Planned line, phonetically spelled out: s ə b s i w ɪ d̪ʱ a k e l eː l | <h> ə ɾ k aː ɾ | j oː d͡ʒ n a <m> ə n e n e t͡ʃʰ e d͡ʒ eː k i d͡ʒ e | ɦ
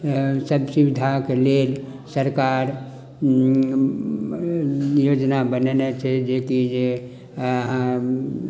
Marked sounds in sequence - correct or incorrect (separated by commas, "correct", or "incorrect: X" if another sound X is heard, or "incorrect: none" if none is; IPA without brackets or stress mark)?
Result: incorrect: s, incorrect: b